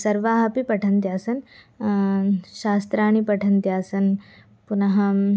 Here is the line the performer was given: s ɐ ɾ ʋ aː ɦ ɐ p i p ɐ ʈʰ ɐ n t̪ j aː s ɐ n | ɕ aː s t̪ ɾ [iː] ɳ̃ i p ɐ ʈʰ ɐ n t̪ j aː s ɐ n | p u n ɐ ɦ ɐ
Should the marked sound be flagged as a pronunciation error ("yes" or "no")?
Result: yes